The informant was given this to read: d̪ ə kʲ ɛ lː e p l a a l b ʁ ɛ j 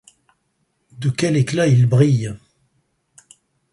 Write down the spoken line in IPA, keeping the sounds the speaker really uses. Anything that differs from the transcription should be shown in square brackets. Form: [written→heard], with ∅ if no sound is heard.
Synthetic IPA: d̪ ə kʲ ɛ [lː→l] e [p→k] l a [a→i] l b ʁ [ɛ→i] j